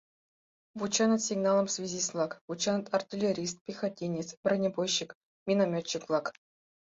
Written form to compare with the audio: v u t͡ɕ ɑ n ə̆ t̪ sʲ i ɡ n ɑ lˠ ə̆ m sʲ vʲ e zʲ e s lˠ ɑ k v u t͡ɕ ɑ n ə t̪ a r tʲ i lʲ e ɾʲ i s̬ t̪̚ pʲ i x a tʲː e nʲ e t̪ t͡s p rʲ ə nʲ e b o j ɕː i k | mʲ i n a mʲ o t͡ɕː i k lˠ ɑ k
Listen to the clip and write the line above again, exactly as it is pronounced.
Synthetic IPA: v u t͡ɕ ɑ n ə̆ t̪ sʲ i ɡ n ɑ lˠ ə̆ m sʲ vʲ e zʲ i s lˠ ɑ k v u t͡ɕ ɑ n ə t̪ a r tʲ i lʲ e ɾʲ i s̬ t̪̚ pʲ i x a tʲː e nʲ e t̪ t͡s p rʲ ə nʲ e b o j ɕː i k | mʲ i n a mʲ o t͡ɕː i k lˠ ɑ k